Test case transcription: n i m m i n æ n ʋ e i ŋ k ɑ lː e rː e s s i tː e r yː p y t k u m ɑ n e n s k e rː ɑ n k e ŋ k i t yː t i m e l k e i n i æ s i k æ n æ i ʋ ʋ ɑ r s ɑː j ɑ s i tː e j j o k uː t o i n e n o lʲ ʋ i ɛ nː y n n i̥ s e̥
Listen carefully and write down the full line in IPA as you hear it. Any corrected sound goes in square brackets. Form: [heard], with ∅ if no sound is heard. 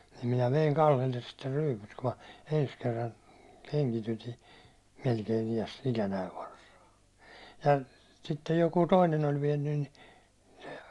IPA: n i m m i n æ [∅] ʋ e i ŋ k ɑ lː e [lː] e s s i tː e r yː p y t k u m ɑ [∅] e n s k e rː ɑ n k e ŋ k i t [y] t i m e l k e i n i æ s i k æ n æ i ʋ ʋ ɑ r s ɑː j ɑ s i tː e j j o k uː t o i n e n o lʲ ʋ i ɛ nː y n n i̥ s e̥